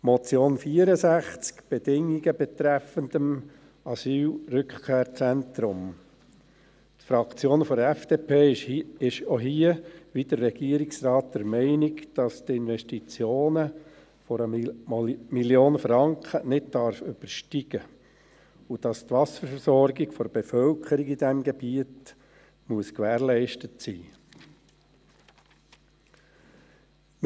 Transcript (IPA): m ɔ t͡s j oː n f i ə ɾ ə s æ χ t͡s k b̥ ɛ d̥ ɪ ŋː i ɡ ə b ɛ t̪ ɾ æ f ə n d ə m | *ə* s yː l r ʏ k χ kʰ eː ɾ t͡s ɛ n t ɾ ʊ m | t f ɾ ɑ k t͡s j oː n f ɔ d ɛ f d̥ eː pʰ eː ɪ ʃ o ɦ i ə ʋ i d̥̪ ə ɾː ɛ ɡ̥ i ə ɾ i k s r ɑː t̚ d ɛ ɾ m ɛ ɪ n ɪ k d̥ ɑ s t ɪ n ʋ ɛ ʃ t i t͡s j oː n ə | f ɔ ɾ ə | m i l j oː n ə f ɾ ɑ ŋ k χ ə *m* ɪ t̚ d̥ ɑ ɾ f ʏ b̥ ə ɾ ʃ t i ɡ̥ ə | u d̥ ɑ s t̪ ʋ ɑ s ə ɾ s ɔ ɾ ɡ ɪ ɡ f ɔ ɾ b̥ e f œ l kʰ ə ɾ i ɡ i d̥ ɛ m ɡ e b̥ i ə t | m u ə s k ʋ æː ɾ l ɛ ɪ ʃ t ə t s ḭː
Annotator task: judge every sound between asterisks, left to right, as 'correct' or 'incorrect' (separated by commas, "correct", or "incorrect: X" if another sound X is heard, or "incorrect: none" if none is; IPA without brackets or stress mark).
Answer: incorrect: ɑ, incorrect: n